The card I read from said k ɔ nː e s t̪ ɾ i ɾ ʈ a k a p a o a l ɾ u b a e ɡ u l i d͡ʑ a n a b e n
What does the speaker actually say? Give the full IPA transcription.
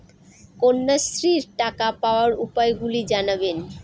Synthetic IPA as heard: k o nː a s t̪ ɾ i ɾ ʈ a k a p a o a ɾ u p a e ɡ u l i d͡ʑ a n a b e n